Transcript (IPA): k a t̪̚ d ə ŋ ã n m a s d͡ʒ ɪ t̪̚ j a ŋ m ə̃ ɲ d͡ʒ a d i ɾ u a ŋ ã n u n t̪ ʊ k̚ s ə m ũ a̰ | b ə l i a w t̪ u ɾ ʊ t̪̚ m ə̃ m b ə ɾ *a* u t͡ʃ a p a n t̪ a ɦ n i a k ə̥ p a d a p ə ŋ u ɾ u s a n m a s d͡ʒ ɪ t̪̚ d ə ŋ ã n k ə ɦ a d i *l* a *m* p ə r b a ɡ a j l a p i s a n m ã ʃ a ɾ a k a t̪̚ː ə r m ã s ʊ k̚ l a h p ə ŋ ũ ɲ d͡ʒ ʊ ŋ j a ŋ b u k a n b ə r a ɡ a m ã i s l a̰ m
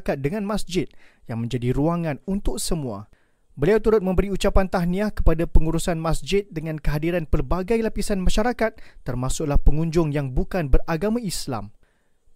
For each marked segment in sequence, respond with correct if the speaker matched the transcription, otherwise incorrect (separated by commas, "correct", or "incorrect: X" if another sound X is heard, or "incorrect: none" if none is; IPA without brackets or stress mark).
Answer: incorrect: i, incorrect: ɾ, incorrect: n